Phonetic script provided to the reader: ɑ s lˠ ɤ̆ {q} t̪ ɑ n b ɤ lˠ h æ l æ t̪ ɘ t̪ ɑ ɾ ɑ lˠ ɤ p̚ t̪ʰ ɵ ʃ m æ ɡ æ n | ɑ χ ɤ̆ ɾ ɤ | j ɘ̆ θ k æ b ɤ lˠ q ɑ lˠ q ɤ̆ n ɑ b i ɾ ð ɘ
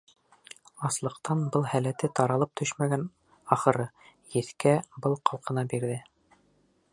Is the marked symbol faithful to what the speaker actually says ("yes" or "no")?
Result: yes